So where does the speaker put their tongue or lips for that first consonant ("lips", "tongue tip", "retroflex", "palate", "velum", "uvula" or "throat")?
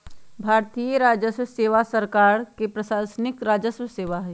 lips